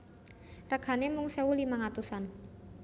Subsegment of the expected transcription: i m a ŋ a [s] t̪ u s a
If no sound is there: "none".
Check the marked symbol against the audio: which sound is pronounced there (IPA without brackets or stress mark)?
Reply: none